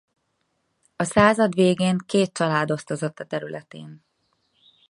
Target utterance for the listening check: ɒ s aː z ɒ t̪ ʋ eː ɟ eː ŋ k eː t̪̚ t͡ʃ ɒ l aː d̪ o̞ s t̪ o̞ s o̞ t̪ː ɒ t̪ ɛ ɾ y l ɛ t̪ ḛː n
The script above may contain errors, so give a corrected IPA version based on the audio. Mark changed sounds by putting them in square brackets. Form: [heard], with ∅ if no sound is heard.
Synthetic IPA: ɒ s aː z ɒ [d̪] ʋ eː [ɡ] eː ŋ k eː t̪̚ t͡ʃ ɒ l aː d̪ o̞ s t̪ o̞ [z] o̞ t̪ː ɒ t̪ ɛ ɾ y l ɛ t̪ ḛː n